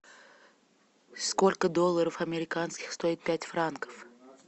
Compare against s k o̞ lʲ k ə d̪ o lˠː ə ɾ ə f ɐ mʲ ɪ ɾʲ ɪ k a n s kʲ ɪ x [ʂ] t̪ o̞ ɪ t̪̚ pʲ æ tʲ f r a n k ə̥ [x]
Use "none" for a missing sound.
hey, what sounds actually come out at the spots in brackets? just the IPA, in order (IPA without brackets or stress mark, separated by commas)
s, f